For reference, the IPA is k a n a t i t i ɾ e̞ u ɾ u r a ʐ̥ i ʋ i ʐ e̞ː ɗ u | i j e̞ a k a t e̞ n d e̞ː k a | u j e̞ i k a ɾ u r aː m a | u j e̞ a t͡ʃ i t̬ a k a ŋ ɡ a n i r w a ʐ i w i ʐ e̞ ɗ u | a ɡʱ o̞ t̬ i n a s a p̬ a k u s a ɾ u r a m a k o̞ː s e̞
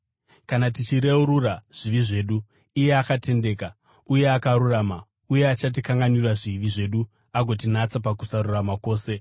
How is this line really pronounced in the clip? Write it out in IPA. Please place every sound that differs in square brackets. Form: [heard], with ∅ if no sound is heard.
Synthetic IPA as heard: k a n a t i [t͡ʃ] i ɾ e̞ u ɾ u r a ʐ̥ i ʋ i ʐ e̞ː ɗ u | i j e̞ a k a t e̞ n d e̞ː k a | u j e̞ [a] k a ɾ u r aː m a | u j e̞ a t͡ʃ [a] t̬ [i] k a ŋ ɡ a n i r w a ʐ i [ʋ] i ʐ e̞ ɗ u | a ɡʱ o̞ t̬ i n a [t͡s] a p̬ a k u s a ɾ u r a m a k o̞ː s e̞